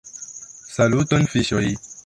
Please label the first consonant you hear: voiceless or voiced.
voiceless